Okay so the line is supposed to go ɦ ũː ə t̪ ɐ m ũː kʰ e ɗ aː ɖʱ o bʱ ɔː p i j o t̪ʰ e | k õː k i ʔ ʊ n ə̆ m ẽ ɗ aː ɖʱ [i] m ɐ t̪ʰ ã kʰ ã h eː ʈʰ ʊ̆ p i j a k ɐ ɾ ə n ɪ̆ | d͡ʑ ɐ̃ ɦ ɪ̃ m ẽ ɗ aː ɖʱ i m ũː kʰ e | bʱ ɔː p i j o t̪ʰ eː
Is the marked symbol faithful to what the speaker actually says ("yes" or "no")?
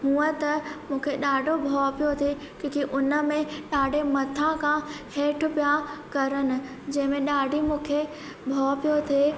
no